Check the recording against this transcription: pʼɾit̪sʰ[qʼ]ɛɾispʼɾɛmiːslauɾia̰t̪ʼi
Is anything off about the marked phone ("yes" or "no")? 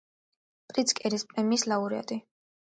yes